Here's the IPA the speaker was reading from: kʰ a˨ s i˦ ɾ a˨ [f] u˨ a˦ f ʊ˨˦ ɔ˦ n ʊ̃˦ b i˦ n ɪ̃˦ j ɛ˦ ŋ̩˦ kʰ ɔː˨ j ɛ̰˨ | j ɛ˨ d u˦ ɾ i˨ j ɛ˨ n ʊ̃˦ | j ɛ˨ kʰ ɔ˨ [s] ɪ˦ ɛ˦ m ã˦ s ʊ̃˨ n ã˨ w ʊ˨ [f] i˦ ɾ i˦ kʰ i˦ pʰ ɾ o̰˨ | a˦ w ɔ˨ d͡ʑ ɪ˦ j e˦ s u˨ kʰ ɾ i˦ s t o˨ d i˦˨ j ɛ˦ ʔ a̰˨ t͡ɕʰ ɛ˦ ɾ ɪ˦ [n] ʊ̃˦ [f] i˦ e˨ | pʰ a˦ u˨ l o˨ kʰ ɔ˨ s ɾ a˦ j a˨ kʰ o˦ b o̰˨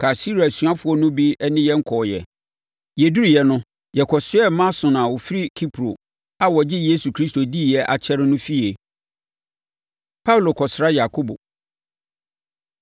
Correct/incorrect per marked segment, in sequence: incorrect, correct, correct, correct, correct

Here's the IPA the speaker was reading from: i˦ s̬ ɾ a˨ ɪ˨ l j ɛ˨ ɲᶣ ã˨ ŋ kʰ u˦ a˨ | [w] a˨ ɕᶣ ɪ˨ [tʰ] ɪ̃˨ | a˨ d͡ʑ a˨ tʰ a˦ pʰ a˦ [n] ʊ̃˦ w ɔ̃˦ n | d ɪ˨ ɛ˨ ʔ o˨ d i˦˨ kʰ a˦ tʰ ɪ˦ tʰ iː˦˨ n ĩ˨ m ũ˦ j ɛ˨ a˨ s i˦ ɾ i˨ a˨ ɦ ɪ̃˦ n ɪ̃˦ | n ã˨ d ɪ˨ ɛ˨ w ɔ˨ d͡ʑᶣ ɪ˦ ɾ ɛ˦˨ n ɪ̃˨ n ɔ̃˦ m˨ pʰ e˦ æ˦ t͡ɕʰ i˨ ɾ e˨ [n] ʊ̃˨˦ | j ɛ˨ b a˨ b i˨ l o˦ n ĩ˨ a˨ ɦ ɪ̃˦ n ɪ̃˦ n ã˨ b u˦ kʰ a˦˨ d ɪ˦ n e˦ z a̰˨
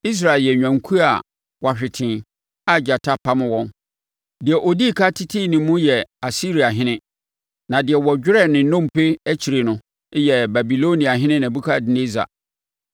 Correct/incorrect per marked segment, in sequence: correct, correct, incorrect, correct

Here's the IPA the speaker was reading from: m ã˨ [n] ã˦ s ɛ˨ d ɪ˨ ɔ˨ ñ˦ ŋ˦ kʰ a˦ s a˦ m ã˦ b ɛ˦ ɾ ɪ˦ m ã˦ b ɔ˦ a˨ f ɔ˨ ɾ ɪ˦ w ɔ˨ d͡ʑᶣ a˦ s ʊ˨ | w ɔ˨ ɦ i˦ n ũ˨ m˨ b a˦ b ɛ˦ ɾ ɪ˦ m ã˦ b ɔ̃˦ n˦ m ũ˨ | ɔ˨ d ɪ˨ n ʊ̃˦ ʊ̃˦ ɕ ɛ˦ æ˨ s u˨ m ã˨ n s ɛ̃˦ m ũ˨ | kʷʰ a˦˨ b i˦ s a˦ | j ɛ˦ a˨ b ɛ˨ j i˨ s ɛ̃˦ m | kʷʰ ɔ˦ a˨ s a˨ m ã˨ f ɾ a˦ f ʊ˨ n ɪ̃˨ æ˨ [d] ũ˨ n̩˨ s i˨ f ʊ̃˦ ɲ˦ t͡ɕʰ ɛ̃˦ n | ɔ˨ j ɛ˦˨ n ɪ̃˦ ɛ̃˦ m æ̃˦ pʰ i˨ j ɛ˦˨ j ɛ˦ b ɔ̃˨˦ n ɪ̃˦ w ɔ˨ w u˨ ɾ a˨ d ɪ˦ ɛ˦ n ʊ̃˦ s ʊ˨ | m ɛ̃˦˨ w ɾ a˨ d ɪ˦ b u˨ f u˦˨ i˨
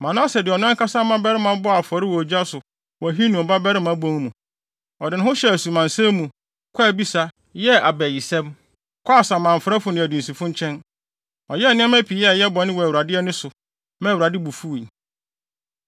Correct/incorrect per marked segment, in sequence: correct, correct

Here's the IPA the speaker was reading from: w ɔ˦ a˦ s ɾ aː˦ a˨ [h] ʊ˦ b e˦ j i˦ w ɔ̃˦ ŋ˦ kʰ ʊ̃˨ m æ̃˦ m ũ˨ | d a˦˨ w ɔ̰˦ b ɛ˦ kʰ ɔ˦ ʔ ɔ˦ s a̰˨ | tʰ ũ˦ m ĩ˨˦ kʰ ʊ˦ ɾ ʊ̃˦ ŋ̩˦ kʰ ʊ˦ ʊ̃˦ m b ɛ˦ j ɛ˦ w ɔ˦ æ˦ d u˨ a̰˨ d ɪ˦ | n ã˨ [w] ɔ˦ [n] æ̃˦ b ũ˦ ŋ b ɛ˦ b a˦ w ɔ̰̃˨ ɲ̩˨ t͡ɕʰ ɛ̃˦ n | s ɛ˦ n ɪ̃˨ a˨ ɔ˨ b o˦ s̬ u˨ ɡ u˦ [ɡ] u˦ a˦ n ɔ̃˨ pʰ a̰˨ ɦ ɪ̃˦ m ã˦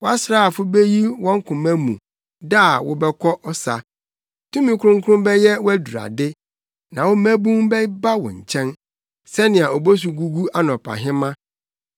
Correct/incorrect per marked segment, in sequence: incorrect, correct, incorrect, correct

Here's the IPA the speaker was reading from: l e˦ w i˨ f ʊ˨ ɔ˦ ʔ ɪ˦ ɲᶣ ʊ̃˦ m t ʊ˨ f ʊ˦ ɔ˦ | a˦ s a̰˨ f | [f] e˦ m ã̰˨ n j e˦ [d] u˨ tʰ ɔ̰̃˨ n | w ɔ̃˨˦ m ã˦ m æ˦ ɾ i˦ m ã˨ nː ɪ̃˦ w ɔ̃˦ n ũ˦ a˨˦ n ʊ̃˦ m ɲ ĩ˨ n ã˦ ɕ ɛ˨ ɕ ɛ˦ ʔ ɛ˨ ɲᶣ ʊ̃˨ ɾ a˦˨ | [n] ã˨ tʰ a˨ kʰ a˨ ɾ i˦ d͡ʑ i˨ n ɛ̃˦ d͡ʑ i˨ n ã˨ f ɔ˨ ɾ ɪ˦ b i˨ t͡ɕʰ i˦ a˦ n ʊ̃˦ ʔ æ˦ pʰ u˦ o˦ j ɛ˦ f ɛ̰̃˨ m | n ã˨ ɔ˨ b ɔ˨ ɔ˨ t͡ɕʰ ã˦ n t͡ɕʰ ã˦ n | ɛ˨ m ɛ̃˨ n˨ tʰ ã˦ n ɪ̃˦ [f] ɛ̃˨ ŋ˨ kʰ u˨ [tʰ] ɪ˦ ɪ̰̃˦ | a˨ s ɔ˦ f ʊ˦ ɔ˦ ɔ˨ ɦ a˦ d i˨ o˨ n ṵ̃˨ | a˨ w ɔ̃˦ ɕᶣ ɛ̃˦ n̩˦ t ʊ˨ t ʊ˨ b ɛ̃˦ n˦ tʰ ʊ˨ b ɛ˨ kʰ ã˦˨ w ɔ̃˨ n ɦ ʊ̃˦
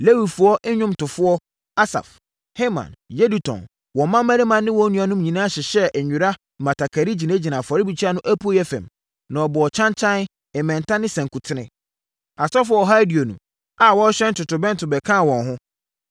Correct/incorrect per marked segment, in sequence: incorrect, correct, incorrect, incorrect, correct

